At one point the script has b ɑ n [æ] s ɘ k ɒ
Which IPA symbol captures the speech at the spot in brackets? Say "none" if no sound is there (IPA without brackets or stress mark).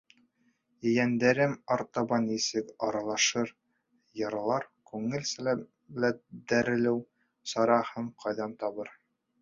i